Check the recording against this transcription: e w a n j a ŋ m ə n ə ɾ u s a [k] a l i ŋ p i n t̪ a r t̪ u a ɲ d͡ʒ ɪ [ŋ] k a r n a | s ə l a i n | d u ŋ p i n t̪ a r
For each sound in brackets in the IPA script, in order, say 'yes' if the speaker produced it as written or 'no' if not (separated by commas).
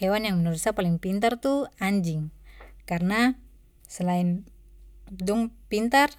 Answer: no, yes